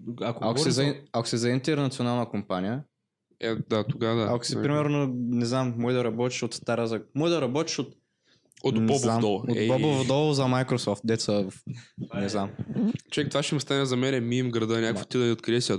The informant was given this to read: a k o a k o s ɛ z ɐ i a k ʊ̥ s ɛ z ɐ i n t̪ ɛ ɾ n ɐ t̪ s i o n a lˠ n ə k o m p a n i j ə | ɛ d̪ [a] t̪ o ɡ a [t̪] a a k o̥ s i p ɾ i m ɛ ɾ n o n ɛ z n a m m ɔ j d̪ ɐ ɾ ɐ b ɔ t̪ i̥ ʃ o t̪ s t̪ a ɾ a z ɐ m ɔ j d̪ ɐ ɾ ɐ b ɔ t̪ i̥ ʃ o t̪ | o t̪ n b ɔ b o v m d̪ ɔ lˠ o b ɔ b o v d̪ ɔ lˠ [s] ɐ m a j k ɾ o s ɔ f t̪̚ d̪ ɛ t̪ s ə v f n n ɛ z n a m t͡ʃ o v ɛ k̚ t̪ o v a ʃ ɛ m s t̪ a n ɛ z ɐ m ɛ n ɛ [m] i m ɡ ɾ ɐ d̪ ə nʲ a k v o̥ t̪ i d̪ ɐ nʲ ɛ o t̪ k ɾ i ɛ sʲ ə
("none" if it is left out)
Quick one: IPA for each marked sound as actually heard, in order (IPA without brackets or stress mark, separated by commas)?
a, d̪, z, m